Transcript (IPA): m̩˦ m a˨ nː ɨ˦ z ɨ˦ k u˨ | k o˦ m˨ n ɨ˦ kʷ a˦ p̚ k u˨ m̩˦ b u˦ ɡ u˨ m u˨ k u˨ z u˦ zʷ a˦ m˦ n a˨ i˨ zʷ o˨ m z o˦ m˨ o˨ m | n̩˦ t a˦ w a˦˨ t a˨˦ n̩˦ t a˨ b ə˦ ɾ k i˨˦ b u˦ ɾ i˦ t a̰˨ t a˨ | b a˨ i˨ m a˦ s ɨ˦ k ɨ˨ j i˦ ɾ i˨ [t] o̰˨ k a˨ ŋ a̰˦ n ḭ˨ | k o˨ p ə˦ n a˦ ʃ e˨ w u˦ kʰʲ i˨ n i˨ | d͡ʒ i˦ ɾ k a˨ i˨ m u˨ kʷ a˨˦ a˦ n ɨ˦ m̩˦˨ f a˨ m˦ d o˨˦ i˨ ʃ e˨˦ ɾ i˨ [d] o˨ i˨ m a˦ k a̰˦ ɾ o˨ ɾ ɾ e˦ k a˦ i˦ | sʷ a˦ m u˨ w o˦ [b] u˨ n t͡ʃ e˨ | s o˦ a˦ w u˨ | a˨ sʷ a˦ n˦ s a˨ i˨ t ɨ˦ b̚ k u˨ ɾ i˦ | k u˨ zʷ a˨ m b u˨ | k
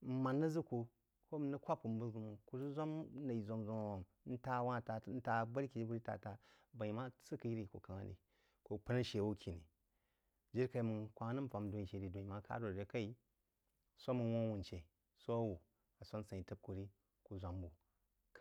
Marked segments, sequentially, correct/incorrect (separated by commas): incorrect, correct, incorrect